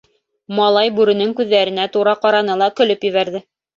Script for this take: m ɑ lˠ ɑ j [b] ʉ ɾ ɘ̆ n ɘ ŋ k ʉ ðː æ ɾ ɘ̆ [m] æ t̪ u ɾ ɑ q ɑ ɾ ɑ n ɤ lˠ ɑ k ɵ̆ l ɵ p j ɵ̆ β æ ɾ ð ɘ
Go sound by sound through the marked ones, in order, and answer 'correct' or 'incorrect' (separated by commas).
correct, incorrect